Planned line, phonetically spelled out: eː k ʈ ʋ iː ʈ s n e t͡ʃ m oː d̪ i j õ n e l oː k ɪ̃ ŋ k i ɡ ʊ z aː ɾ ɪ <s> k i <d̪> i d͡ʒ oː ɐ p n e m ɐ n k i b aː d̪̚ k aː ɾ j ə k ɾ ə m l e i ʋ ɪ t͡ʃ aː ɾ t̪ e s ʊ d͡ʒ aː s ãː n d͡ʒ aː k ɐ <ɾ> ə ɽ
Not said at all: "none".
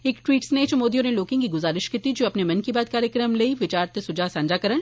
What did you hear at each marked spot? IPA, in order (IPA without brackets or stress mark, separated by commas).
ʃ, t̪, ɾ